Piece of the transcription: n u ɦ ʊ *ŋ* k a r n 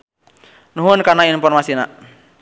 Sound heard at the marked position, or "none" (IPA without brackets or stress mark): n